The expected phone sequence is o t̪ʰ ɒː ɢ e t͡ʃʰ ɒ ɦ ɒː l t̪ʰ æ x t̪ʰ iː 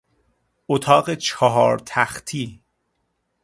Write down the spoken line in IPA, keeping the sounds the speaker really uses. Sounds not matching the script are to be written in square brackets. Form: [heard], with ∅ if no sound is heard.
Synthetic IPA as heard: o t̪ʰ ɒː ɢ e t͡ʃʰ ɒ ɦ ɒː [ɾ] t̪ʰ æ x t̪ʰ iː